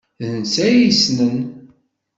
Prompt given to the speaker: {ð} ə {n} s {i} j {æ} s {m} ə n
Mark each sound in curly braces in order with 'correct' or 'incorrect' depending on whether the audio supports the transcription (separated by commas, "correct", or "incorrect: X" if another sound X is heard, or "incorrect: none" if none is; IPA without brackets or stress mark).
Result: correct, correct, incorrect: æ, incorrect: i, incorrect: n